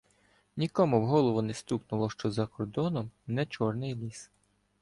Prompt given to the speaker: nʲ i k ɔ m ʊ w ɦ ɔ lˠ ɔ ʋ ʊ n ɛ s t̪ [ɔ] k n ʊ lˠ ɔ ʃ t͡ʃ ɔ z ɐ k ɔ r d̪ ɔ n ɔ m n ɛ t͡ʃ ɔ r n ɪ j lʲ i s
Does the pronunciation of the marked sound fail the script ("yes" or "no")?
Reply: yes